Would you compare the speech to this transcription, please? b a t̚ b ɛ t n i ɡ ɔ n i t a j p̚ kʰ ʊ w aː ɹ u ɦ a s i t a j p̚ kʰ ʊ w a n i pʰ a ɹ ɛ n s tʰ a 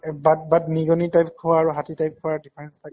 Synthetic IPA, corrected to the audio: b a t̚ b a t n i ɡ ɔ n i t a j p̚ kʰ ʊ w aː ɹ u ɦ a t i t a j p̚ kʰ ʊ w a d i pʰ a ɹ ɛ n s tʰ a

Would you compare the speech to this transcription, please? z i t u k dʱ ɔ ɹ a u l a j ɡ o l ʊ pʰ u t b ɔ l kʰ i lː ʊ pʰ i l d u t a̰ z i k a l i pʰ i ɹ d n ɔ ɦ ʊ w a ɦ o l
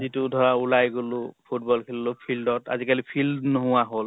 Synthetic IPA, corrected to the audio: z i t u dʱ ɔ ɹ a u l a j ɡ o l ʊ pʰ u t b ɔ l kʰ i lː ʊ pʰ i l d ɔ t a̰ z i k a l i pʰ i l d n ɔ ɦ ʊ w a ɦ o l

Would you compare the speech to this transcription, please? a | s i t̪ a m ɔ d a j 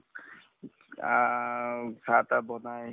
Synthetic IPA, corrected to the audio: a | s a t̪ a b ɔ n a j

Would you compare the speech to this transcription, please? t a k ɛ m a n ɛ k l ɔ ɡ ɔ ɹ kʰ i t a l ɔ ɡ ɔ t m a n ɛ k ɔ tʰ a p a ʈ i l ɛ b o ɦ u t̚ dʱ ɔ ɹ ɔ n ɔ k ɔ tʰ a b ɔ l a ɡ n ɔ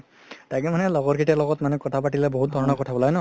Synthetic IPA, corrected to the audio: t a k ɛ m a n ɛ l ɔ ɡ ɔ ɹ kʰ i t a l ɔ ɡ ɔ t m a n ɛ k ɔ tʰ a p a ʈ i l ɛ b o ɦ u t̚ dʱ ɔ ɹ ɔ n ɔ k ɔ tʰ a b ɔ l a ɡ n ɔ

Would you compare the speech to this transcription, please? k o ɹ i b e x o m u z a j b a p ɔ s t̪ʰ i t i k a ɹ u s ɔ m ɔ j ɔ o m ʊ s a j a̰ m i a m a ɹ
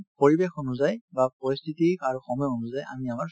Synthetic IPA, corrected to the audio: p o ɹ i b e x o n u z a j b a p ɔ s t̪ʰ i t i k a ɹ u x ɔ m ɔ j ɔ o n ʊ z a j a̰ m i a m a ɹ

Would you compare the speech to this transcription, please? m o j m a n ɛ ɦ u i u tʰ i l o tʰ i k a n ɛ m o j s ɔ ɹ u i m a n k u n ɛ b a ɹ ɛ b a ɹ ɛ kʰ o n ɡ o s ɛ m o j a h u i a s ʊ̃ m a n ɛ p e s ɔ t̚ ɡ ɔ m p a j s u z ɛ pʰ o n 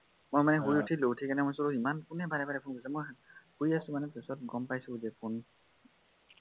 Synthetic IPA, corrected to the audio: m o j m a n ɛ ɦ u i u tʰ i l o tʰ i k a n ɛ m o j s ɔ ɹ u i m a n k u n ɛ b a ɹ ɛ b a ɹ ɛ pʰ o n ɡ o s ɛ m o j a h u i a s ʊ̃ m a n ɛ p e s ɔ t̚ ɡ ɔ m p a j s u z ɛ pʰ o n

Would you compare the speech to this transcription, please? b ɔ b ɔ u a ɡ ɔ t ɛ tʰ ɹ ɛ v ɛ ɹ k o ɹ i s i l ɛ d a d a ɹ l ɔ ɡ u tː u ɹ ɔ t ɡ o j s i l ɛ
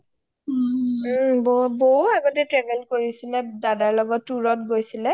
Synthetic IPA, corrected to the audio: b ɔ b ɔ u a ɡ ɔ t ɛ t ɹ ɛ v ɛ l k o ɹ i s i l ɛ d a d a ɹ l ɔ ɡ ɔ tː u ɹ ɔ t ɡ o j s i l ɛ

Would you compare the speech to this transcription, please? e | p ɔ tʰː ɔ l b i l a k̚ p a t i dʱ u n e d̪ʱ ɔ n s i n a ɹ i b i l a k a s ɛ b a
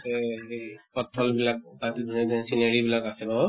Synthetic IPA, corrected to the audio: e | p ɔ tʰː ɔ l b i l a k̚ t a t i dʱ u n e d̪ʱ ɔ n s i n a ɹ i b i l a k a s ɛ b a

